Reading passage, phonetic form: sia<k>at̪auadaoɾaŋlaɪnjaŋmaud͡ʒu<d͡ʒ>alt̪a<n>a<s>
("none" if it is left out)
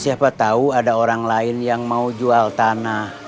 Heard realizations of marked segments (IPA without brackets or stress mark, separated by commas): p, none, n, h